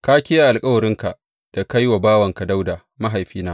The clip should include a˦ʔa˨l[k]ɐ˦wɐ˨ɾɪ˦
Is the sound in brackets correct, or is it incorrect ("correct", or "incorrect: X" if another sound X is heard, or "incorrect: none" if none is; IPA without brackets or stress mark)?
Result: incorrect: kʼ